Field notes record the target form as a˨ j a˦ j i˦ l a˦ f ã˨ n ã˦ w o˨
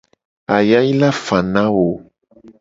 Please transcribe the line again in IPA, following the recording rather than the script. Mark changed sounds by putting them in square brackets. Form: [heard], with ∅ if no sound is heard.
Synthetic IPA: a˨ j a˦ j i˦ l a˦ f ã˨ n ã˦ w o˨